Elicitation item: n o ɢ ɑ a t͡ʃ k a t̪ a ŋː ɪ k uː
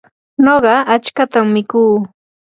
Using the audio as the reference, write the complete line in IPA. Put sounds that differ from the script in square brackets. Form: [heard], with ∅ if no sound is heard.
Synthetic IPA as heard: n o ɢ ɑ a t͡ʃ k a t̪ a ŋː ɪ k uː